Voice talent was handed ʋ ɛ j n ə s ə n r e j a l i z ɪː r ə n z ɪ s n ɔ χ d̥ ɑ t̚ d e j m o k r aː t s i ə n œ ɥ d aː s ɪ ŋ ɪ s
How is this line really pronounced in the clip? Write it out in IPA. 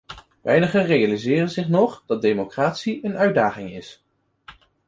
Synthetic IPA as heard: ʋ ɛ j n ə χ ə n r e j a l i z ɪː r ə n z ɪ χ n ɔ χ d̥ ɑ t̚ d e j m o k r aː t s i ə n œ ɥ d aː χ ɪ ŋ ɪ s